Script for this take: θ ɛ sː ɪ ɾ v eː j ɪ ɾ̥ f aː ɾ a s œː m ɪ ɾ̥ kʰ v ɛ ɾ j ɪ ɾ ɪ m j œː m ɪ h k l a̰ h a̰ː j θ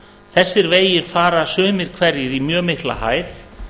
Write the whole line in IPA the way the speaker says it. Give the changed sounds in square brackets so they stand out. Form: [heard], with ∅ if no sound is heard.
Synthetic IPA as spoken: θ ɛ sː ɪ ɾ v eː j ɪ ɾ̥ f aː ɾ a s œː m ɪ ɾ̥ kʰ v ɛ ɾ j ɪ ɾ [i] m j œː m ɪ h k l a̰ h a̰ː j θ